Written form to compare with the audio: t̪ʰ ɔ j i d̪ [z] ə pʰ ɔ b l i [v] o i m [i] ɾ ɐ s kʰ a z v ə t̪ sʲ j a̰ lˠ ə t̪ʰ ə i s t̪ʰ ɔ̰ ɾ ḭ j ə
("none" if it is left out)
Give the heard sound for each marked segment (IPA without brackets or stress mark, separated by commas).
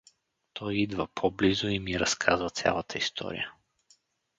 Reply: v, z, i